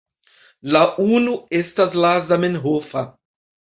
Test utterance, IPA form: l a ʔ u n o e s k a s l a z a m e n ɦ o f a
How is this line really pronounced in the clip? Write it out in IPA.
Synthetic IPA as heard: l a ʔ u n u e s t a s l a z a m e n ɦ o f a